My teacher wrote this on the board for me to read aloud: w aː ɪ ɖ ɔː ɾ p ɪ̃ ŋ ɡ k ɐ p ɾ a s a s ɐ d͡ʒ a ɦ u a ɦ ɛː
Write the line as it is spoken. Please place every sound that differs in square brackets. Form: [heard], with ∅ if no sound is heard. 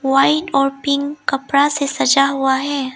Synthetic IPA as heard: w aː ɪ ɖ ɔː ɾ p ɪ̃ ŋ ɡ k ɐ p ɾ a s [e] s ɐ d͡ʒ a ɦ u a ɦ ɛː